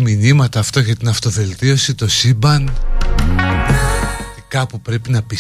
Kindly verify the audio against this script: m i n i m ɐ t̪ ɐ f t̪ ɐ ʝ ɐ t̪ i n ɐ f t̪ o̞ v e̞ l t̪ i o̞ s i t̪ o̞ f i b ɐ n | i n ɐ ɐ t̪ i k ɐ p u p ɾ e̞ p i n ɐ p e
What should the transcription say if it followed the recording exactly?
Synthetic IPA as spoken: m i n i m ɐ t̪ ɐː f t̪ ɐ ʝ ɐ t̪ i n ɐ f t̪ o̞ v e̞ l t̪ i o̞ s i t̪ o̞ s i b ɐ n | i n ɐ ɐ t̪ i k ɐ p u p ɾ e̞ p i n ɐ p i